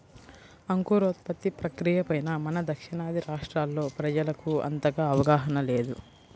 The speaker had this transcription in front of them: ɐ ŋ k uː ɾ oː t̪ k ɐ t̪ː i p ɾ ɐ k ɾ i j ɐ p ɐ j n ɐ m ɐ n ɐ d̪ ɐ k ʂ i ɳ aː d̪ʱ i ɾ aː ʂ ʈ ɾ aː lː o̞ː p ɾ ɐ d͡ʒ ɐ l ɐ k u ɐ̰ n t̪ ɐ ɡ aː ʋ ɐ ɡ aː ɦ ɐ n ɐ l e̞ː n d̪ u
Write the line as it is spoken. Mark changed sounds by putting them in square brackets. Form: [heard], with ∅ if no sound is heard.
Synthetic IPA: ɐ ŋ k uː ɾ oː t̪ [p] ɐ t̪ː i p ɾ ɐ k ɾ i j ɐ p ɐ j n ɐ m ɐ n ɐ d̪ ɐ k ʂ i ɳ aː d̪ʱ i ɾ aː ʂ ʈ ɾ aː lː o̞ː p ɾ ɐ d͡ʒ ɐ l ɐ k u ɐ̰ n t̪ ɐ ɡ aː ʋ ɐ ɡ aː ɦ ɐ n ɐ l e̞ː [∅] d̪ u

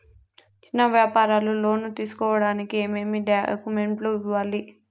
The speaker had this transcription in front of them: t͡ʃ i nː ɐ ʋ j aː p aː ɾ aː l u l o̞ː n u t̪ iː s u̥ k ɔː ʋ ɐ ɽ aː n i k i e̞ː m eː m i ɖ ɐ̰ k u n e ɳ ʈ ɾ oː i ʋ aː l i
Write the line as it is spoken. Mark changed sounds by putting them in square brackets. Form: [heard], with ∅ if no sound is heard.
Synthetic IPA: t͡ʃ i nː ɐ ʋ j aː p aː ɾ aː l u l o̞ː n u t̪ iː s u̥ k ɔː ʋ ɐ ɽ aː n i k i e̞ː m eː m i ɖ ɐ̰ k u [m] e ɳ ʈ [l] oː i ʋ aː l i

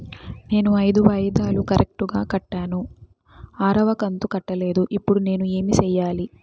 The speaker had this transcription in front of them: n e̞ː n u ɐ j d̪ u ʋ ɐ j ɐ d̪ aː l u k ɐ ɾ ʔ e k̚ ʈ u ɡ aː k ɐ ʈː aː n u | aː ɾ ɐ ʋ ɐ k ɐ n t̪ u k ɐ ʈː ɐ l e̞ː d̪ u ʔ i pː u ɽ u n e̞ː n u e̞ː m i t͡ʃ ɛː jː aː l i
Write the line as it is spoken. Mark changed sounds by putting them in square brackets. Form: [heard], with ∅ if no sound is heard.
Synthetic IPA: n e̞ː n u ɐ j d̪ u ʋ ɐ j ɐ d̪ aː l u k ɐ ɾ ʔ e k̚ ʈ u ɡ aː k ɐ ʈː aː n u | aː ɾ ɐ ʋ ɐ k ɐ n t̪ u k ɐ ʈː ɐ l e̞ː d̪ u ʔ i pː u ɽ u n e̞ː n u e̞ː m i t͡ʃ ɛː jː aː l i

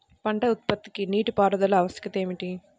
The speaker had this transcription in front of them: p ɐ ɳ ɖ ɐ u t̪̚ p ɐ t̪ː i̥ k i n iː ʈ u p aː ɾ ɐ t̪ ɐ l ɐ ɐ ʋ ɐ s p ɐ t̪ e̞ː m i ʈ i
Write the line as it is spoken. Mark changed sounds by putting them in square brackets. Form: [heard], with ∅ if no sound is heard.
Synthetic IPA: p ɐ ɳ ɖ ɐ u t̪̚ p ɐ t̪ː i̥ k i n iː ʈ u p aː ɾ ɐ [d̪] ɐ l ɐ ɐ ʋ ɐ s [k] ɐ t̪ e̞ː m i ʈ i

